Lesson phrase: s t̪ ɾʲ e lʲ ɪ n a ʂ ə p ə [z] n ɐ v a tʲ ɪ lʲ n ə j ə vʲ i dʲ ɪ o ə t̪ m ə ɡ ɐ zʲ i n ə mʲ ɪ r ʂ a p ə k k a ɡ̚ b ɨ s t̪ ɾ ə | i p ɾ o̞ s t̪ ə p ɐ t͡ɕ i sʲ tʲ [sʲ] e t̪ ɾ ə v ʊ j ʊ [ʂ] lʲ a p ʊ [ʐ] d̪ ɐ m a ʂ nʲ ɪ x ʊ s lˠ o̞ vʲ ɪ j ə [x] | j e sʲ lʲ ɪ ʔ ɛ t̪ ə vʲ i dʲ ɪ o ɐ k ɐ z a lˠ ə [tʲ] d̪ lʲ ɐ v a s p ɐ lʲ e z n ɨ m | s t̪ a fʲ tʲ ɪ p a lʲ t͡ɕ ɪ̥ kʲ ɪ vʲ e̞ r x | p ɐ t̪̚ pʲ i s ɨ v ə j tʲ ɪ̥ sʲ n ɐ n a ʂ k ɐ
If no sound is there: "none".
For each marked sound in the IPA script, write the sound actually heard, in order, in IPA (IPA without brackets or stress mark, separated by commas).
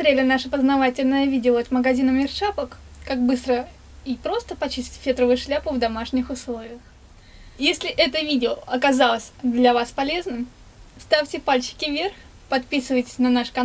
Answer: z, fʲ, ʂ, v, x, sʲ